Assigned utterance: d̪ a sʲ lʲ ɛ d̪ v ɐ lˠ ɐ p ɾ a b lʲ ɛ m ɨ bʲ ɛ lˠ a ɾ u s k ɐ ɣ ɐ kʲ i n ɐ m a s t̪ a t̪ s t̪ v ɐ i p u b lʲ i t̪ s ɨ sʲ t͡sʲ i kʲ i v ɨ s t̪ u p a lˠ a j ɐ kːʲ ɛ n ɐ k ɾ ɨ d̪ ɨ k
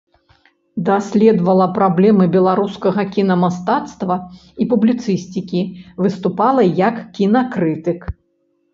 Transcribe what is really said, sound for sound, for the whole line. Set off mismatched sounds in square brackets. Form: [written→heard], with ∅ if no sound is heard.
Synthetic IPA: d̪ a sʲ lʲ ɛ d̪ v ɐ lˠ ɐ p ɾ a b lʲ ɛ m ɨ bʲ ɛ lˠ a ɾ u s k ɐ ɣ ɐ kʲ i n ɐ m a s t̪ a t̪ s t̪ v ɐ i p u b lʲ i t̪ s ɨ sʲ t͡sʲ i kʲ i v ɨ s t̪ u p a lˠ [a→ɐ] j ɐ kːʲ [ɛ→i] n ɐ k ɾ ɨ [d̪→t̪] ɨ k